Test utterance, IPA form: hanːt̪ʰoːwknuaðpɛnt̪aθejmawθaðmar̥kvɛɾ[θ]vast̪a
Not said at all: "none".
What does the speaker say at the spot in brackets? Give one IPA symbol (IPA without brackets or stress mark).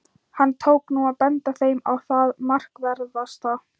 ð